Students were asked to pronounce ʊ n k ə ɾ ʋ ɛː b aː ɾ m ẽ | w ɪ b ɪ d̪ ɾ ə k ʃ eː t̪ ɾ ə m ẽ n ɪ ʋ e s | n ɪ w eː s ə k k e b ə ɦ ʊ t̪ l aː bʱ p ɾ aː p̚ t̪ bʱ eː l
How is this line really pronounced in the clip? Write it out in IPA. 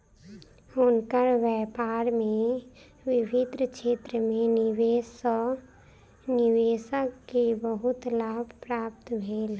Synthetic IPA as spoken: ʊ n k ə ɾ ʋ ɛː p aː ɾ m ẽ | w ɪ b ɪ d̪ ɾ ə k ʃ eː t̪ ɾ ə m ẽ n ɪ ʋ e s | n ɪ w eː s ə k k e b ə ɦ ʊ t̪ l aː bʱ p ɾ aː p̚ t̪ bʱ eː l